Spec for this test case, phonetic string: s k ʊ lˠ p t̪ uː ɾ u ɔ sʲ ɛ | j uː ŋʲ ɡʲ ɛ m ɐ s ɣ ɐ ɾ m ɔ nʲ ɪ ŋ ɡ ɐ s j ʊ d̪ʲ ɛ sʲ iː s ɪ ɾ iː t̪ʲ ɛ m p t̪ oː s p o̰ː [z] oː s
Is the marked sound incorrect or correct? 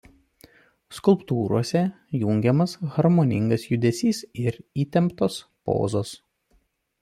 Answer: correct